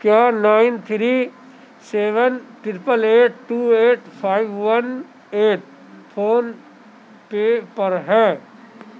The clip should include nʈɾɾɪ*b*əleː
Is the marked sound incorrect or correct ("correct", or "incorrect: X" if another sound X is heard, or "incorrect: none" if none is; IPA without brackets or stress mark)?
incorrect: p